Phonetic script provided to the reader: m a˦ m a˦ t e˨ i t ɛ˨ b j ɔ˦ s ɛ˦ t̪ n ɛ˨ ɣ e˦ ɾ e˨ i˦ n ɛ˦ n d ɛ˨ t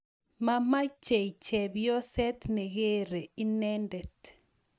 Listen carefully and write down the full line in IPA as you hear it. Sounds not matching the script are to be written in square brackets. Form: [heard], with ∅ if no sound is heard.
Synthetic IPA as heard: m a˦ m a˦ [t͡ʃ] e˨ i [t͡ʃ] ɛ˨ b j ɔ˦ s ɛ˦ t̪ n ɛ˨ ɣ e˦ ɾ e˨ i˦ n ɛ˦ n d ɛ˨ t